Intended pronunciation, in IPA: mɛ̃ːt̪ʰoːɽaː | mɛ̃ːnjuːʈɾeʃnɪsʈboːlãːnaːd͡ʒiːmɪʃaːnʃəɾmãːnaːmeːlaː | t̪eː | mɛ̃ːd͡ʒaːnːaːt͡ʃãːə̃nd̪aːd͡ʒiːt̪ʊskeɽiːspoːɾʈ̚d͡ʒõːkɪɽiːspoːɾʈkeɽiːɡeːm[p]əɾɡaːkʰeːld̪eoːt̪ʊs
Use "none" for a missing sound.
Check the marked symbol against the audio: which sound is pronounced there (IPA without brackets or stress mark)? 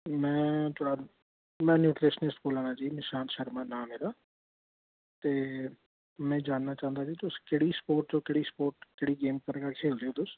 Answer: k